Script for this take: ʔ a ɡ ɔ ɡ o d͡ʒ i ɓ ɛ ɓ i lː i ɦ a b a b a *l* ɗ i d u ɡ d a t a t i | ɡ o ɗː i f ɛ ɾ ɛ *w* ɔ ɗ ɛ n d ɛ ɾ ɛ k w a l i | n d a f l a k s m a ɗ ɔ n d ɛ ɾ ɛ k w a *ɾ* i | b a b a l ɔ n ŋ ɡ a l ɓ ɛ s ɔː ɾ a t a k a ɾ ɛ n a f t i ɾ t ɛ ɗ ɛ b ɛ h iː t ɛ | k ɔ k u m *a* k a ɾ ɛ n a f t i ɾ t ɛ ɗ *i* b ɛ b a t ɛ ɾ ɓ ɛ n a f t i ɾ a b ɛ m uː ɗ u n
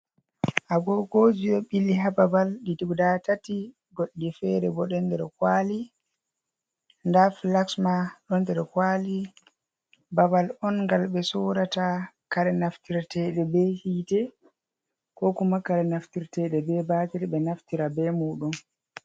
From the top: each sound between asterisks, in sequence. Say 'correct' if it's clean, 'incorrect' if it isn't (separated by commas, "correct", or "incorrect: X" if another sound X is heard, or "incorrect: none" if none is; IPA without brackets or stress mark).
correct, incorrect: b, incorrect: l, correct, incorrect: ɛ